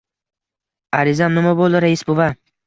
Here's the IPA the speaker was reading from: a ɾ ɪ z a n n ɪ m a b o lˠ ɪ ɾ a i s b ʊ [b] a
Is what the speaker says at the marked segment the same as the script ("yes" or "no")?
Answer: no